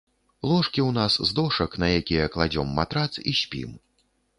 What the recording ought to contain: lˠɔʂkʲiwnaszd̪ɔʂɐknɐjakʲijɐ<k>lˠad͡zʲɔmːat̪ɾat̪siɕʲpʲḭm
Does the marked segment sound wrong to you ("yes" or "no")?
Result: no